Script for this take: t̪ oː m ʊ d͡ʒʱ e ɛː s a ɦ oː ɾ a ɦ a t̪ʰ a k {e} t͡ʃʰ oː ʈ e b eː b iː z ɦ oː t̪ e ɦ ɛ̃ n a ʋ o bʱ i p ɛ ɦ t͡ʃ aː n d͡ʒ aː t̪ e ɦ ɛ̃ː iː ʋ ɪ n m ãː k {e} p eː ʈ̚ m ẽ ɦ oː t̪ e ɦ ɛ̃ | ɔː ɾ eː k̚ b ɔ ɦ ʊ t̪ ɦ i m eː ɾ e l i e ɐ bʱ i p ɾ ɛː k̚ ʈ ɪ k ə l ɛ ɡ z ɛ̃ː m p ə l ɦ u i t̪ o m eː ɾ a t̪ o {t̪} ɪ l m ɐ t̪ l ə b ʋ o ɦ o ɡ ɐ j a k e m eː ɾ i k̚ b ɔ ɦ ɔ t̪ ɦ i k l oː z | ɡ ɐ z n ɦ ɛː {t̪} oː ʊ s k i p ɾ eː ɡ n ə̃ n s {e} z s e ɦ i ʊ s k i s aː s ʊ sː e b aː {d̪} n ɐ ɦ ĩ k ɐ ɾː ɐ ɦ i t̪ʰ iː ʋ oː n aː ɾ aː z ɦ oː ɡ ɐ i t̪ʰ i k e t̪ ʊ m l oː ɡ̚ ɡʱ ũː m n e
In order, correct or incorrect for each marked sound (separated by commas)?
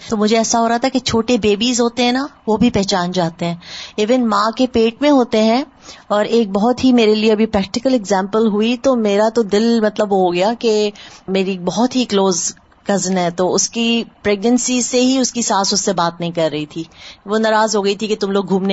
correct, correct, incorrect, correct, incorrect, incorrect